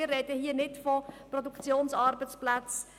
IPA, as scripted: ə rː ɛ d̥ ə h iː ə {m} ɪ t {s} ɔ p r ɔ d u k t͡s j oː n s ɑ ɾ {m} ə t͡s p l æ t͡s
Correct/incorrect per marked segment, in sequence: incorrect: n, incorrect: f, incorrect: b

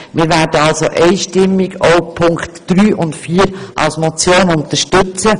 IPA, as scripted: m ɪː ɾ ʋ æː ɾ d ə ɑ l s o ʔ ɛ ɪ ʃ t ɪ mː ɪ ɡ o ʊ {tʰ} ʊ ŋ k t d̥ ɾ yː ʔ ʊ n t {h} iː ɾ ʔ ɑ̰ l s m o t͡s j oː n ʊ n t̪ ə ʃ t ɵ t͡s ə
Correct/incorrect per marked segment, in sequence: incorrect: pʰ, incorrect: f

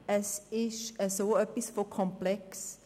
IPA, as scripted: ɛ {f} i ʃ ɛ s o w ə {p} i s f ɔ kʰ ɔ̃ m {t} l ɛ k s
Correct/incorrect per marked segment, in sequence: incorrect: s, correct, incorrect: p

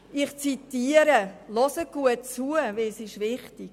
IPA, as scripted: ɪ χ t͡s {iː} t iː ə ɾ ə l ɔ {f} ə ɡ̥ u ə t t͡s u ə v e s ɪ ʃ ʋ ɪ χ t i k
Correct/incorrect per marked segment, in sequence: incorrect: i, incorrect: s

